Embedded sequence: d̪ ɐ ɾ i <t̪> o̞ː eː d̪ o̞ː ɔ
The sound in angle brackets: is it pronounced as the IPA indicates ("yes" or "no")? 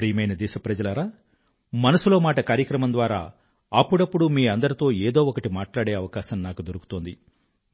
yes